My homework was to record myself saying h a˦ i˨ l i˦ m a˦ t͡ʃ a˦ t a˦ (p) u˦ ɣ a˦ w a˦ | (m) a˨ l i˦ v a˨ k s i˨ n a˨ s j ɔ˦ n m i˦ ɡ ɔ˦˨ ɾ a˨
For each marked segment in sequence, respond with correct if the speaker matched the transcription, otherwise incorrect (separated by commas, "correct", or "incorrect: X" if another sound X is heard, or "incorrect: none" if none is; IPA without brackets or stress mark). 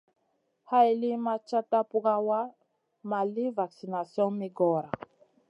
correct, correct